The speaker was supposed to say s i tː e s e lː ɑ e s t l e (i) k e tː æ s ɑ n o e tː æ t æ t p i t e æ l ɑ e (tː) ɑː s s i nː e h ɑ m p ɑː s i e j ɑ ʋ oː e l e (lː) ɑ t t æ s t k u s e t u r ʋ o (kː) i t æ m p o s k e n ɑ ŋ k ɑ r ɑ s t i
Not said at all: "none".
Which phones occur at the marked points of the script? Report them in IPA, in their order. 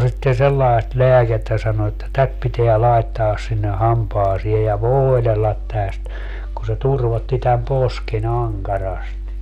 æ, tː, lː, tː

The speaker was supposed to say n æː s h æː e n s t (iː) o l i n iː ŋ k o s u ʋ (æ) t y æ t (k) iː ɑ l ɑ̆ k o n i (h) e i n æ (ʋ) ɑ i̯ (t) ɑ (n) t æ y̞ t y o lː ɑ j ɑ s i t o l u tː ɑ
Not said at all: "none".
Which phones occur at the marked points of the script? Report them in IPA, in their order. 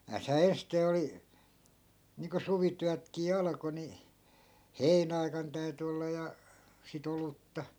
eː, i, k, h, none, k, n

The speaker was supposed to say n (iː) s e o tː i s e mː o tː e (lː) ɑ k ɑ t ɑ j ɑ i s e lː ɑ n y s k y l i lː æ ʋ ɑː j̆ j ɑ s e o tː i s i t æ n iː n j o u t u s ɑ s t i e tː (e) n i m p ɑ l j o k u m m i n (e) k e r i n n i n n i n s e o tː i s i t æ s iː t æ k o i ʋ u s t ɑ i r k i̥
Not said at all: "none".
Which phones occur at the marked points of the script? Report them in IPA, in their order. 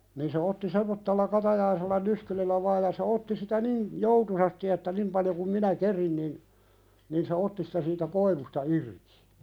iː, lː, æ, æ

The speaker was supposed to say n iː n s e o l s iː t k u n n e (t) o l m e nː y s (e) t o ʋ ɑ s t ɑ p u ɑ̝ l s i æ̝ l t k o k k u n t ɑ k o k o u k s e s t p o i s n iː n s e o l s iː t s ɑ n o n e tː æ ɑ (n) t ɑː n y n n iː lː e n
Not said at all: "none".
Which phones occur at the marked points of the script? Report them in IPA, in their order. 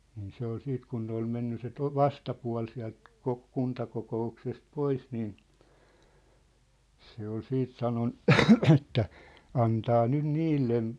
none, e, n

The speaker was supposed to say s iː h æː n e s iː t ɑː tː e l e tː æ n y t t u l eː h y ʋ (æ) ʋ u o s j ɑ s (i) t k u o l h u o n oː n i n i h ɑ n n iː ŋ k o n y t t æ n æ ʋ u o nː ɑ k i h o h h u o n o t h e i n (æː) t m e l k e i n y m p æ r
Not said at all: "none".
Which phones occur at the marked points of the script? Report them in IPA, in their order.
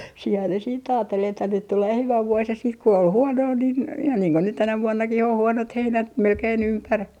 æ, iː, æ

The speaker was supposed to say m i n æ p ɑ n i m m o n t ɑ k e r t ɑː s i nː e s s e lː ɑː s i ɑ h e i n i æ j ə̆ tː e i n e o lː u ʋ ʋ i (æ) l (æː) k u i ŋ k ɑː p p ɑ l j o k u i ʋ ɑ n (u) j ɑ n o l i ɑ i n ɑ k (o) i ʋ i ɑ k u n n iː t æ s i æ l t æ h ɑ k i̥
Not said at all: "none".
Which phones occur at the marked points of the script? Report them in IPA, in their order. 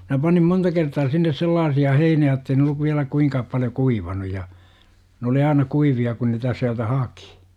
æ, æ, u, u

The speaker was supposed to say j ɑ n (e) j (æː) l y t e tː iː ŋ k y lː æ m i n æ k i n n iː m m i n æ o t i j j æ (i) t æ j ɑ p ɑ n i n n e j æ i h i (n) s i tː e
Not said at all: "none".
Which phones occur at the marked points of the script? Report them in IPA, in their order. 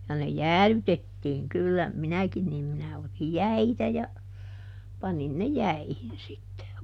e, æː, i, n

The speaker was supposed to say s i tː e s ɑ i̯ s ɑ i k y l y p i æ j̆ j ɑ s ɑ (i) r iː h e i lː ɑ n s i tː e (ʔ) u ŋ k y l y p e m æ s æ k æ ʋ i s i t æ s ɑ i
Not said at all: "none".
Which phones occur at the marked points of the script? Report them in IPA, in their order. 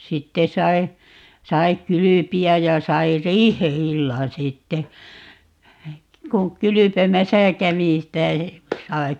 i, k

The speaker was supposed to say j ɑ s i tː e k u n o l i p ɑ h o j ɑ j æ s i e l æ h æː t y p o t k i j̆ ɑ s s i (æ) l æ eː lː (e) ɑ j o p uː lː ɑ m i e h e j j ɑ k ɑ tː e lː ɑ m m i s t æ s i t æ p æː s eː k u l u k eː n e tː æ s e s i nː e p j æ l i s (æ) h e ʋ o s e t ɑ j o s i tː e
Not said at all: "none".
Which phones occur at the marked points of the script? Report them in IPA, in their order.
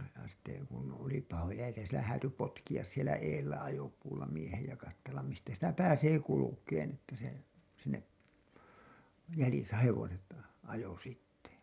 e, æ, æ

